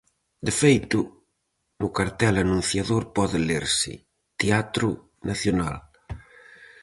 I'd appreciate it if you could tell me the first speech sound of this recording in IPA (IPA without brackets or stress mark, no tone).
d̪